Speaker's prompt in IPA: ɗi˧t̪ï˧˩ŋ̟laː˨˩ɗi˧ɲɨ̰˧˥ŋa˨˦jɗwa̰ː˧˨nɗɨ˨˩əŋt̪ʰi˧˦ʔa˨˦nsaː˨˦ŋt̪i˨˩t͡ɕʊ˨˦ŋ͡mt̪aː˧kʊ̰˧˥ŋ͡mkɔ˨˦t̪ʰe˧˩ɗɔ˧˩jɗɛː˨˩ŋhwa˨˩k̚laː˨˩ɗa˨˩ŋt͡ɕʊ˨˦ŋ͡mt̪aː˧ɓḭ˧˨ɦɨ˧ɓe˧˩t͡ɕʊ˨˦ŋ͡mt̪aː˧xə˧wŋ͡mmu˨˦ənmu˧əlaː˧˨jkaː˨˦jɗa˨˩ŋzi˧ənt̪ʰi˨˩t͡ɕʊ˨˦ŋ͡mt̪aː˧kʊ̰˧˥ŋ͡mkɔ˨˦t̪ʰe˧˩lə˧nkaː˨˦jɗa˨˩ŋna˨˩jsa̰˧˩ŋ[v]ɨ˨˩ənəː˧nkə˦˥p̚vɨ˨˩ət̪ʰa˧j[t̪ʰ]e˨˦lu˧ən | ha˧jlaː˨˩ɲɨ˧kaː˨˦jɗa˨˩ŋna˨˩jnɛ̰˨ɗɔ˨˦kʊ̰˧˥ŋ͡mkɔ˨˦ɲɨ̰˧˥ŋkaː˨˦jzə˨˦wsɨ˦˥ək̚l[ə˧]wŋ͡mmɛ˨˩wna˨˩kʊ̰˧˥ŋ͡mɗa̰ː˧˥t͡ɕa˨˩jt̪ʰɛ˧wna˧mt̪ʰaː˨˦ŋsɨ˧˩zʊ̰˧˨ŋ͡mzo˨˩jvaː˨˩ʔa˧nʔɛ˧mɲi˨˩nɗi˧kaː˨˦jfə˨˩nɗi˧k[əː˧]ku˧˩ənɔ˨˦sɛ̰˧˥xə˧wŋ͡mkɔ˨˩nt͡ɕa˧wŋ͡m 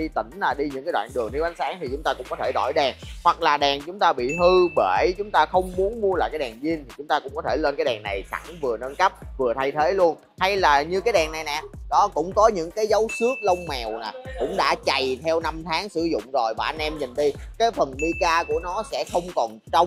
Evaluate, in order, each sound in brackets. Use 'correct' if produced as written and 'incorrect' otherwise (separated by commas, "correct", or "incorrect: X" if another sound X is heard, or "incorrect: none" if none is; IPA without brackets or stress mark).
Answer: correct, correct, correct, incorrect: aː˧